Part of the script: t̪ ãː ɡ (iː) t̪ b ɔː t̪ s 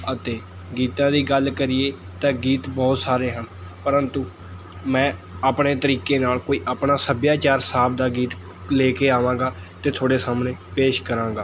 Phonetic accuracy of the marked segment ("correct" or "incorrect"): correct